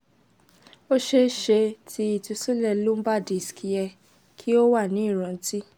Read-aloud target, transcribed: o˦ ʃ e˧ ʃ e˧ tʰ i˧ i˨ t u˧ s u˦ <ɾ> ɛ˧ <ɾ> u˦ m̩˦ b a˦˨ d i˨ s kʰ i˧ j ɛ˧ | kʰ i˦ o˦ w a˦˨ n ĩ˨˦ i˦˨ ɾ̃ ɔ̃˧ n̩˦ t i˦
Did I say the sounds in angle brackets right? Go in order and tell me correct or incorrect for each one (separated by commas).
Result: incorrect, incorrect